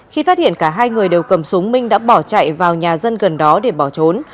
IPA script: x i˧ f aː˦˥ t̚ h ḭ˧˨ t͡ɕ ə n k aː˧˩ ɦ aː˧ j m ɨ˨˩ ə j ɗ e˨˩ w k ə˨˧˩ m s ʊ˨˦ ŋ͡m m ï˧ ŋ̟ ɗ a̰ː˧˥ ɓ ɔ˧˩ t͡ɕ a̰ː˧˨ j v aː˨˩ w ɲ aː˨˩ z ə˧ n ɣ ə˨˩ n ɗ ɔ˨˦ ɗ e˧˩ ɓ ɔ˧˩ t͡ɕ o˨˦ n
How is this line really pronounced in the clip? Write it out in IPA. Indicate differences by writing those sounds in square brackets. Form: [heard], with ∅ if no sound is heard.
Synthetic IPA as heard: x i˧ f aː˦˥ t̚ h ḭ˧˨ [∅] ə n k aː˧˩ ɦ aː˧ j [ŋ] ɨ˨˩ ə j ɗ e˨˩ w k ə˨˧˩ m s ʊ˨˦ ŋ͡m m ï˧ ŋ̟ ɗ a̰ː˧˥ ɓ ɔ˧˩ t͡ɕ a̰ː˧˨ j v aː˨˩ w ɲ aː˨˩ z ə˧ n ɣ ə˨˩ n ɗ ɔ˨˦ ɗ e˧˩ ɓ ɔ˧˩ t͡ɕ o˨˦ n